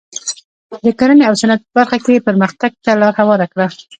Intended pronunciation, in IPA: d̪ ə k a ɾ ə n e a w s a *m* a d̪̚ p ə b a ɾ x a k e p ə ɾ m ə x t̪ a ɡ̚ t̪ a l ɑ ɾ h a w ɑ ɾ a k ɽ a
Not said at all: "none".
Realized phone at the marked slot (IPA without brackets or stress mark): n